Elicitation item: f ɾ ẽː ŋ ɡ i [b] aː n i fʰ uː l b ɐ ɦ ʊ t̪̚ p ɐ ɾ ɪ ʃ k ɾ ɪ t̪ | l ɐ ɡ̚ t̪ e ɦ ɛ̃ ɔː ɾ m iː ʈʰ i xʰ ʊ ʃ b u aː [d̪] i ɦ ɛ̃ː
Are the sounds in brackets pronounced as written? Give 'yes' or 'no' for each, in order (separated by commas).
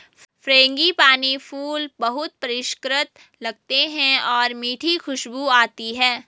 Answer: no, no